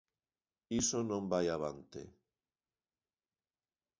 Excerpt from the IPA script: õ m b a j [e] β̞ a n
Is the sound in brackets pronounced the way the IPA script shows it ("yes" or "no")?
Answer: no